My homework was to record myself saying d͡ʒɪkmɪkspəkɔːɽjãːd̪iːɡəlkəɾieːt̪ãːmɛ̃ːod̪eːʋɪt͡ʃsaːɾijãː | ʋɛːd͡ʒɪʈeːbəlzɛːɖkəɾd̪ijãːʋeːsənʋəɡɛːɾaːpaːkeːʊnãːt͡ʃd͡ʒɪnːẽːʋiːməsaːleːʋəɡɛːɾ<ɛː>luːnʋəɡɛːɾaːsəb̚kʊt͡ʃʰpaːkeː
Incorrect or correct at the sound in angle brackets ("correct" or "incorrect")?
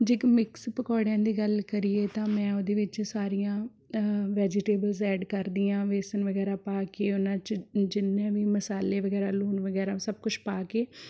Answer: incorrect